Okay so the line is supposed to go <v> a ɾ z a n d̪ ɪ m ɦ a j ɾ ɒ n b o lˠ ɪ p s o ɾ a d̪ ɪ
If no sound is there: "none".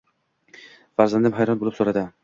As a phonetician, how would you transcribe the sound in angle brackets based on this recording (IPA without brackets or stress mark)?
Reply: f